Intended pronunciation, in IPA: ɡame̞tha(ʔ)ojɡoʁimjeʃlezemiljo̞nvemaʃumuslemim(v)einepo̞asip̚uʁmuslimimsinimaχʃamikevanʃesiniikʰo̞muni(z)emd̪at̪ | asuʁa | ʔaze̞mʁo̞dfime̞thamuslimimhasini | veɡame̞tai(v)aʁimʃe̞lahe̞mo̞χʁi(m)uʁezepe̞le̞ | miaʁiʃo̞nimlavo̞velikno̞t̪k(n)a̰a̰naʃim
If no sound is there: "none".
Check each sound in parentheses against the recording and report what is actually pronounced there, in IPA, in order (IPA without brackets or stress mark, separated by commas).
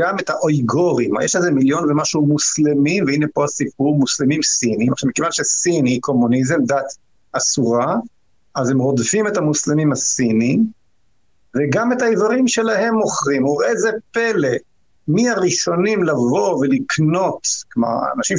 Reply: ʔ, v, z, v, m, m